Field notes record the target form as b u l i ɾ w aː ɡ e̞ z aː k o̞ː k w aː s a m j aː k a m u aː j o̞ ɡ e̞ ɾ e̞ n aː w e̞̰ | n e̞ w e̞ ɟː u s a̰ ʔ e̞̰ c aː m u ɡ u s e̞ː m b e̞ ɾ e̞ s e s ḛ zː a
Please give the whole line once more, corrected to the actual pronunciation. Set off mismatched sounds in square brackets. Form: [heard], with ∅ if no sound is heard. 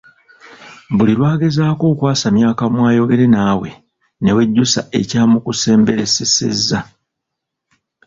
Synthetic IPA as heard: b u l i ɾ w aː ɡ e̞ z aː k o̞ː k w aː s a m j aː k a m [w] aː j o̞ ɡ e̞ ɾ e̞ n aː w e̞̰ | n e̞ w e̞ ɟː u s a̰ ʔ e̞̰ c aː m u [k] u s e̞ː m b e̞ ɾ e̞ s e s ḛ zː a